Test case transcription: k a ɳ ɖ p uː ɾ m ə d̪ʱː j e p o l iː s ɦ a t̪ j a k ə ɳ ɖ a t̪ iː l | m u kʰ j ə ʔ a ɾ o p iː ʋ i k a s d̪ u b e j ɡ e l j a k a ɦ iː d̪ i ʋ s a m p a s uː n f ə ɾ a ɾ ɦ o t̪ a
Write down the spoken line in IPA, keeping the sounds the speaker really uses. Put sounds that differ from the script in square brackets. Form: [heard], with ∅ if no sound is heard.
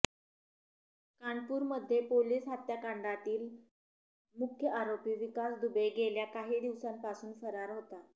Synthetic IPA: k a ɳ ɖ p uː ɾ m ə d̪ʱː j e p o l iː s ɦ a t̪ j a k [a] ɳ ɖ a t̪ iː l | m u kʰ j ə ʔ a ɾ o p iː ʋ i k a s d̪ u b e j ɡ e l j a k a ɦ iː d̪ i ʋ s a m p a s uː n f ə ɾ a ɾ ɦ o t̪ a